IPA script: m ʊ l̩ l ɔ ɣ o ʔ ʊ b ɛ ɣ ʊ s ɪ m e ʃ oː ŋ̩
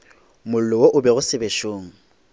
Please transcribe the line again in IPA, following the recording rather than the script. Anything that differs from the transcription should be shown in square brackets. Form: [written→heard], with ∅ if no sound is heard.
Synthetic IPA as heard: m ʊ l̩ l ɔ [ɣ→w] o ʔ ʊ b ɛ ɣ ʊ s ɪ [m→b] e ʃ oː ŋ̩